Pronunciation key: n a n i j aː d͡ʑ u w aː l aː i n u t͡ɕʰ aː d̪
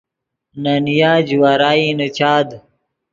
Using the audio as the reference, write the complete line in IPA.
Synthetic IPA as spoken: n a n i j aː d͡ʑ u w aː ɾ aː i n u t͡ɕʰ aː d̪